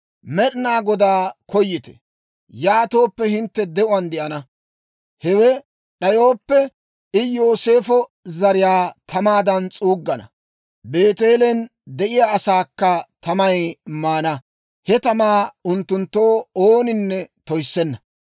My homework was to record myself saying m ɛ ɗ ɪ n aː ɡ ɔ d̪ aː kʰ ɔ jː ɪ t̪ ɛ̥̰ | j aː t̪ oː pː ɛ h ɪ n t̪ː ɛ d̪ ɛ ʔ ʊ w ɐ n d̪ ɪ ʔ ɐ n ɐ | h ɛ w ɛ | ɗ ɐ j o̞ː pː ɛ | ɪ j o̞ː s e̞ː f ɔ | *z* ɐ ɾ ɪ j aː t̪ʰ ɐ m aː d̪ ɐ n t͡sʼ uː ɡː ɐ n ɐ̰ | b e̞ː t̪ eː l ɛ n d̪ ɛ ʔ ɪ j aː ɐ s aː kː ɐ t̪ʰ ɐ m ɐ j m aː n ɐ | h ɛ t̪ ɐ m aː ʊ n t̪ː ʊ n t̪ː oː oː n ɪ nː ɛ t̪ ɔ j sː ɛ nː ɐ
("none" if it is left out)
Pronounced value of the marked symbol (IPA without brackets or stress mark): z